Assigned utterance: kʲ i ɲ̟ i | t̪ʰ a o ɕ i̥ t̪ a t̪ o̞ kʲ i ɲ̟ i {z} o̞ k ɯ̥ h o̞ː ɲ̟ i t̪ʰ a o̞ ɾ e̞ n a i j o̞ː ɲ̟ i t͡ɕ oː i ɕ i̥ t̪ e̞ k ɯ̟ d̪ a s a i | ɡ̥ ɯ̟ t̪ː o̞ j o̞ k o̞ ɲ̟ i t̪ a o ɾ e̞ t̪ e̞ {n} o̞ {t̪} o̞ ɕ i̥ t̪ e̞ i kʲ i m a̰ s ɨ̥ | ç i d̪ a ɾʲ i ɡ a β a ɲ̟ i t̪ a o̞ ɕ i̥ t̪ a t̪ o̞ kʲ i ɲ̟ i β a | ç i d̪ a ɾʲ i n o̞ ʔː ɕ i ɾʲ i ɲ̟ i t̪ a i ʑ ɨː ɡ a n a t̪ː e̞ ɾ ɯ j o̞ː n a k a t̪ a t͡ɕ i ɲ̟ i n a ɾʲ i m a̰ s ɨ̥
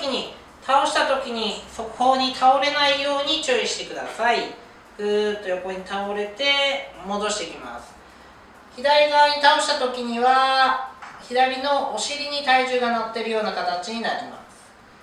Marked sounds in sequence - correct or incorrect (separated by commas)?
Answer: incorrect, incorrect, incorrect